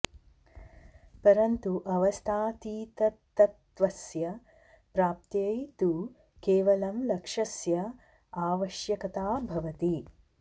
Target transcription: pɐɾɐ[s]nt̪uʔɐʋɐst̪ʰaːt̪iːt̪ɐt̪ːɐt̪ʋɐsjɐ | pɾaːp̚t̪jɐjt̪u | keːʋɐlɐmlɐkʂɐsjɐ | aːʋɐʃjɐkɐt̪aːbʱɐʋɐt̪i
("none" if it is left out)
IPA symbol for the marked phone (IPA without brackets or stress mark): none